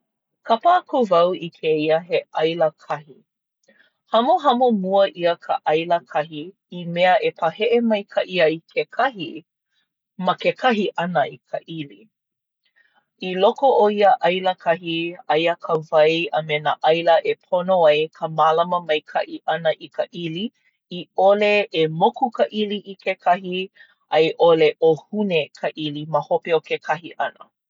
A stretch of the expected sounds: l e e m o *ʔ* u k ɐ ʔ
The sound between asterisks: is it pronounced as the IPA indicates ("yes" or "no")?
no